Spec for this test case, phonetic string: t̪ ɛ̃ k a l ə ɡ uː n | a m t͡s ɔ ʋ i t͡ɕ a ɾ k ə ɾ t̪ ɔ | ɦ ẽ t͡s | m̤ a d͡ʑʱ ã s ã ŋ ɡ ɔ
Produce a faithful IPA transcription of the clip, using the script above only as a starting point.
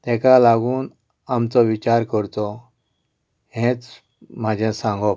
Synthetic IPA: t̪ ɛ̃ k a l a ɡ uː n | a m t͡s ɔ ʋ i t͡ɕ a ɾ k ə ɾ t̪ ɔ | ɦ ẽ t͡s | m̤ a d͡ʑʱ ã s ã ŋ ɡ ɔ